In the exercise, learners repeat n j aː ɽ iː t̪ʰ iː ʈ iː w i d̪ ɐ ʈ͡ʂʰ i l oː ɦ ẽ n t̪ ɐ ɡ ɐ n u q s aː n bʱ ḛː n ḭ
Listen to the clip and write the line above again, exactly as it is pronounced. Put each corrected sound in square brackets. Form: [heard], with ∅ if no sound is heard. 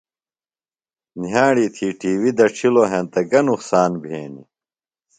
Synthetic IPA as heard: n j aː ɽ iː t̪ʰ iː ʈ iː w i d̪ ɐ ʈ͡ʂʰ i l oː ɦ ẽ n t̪ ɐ ɡ ɐ n u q s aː n bʱ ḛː n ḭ